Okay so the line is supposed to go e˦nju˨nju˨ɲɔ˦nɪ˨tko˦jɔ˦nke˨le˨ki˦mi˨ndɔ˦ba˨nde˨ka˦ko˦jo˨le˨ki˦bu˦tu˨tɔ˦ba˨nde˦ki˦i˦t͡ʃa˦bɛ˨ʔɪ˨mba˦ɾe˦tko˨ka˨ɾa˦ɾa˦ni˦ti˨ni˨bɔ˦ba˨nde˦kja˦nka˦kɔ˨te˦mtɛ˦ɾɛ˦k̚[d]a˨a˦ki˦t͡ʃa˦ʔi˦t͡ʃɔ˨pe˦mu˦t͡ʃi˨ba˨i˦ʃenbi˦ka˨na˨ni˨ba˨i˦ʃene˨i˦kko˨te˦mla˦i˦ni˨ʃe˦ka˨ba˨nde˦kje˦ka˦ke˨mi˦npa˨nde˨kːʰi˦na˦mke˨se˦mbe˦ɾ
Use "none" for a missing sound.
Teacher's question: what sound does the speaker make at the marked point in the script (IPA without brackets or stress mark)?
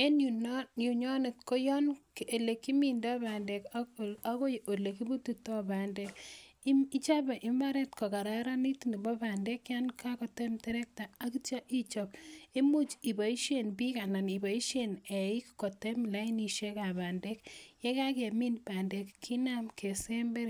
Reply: t